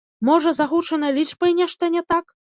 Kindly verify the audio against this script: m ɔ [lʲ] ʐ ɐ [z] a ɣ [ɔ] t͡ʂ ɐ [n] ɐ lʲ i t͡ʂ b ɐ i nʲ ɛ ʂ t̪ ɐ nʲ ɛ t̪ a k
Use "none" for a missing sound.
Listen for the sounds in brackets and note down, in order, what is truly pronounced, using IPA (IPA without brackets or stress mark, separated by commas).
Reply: none, z, u, n